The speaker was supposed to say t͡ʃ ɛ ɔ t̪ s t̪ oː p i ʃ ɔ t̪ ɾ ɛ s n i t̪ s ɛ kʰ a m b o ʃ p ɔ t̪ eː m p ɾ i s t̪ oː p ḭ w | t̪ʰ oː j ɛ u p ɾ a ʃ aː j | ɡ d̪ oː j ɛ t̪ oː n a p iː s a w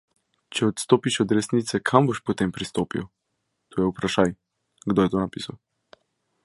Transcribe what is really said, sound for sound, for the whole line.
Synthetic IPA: t͡ʃ ɛ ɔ t̪ s t̪ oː p i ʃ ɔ d̪ ɾ ɛ s n i t̪ s ɛ kʰ a m b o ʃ p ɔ t̪ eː m p ɾ i s t̪ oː p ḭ w | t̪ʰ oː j ɛ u p ɾ a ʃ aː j | ɡ d̪ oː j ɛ t̪ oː n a p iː s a w